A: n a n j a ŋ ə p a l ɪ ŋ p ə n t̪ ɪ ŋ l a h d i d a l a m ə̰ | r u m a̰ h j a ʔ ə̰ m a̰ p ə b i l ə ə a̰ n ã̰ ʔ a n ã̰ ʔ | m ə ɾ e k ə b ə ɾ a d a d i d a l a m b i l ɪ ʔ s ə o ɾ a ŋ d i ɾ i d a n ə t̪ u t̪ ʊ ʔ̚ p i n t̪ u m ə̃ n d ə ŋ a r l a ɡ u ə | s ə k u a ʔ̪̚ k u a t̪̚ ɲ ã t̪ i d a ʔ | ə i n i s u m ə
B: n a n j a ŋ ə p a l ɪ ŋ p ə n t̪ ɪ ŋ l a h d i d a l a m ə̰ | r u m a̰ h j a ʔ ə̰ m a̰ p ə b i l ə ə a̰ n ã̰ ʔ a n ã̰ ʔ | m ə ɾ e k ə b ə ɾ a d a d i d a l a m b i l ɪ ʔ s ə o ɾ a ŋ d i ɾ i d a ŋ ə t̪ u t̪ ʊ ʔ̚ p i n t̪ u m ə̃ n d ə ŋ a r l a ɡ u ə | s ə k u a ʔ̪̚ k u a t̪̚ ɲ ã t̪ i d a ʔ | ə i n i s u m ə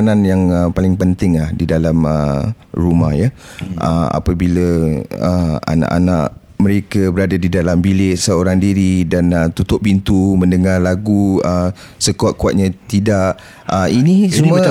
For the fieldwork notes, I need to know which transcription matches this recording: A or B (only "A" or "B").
A